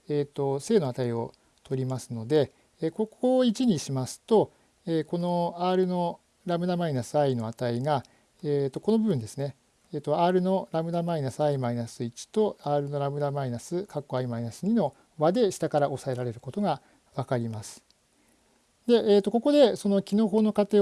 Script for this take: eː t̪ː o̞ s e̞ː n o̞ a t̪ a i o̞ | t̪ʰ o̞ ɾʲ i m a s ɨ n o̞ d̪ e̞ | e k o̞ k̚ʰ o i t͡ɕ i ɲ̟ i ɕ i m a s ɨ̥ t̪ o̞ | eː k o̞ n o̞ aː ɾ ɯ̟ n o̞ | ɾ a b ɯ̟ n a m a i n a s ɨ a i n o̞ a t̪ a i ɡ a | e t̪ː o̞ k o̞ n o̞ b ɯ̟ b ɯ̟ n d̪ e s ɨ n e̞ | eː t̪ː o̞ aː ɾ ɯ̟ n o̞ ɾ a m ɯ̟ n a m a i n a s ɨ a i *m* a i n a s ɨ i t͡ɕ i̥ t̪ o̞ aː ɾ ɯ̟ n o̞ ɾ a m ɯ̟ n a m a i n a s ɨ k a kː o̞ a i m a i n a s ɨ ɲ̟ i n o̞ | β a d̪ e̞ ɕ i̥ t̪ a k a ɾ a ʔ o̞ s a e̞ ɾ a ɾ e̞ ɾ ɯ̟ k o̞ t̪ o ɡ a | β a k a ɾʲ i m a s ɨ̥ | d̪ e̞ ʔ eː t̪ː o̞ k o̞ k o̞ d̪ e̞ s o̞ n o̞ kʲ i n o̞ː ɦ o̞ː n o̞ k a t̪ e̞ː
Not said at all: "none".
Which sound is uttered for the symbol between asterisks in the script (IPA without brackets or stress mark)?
m